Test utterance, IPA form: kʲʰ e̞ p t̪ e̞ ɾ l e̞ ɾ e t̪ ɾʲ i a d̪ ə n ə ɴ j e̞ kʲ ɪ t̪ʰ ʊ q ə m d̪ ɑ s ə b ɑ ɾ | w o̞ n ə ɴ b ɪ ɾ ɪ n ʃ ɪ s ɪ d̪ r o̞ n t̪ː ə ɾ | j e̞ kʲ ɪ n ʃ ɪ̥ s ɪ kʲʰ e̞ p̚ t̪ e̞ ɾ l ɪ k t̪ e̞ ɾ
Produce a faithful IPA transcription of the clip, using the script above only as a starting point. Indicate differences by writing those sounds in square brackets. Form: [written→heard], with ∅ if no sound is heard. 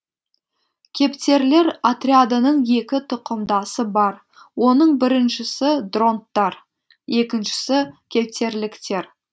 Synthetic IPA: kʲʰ e̞ p t̪ e̞ ɾ l e̞ ɾ [e→a] t̪ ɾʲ i a d̪ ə n ə ɴ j e̞ kʲ ɪ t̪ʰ ʊ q ə m d̪ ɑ s ə b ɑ ɾ | w o̞ n ə ɴ b ɪ ɾ ɪ n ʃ ɪ s ɪ d̪ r o̞ n t̪ː [ə→ɑ] ɾ | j e̞ kʲ ɪ n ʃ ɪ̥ s ɪ kʲʰ e̞ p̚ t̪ e̞ ɾ l ɪ k t̪ e̞ ɾ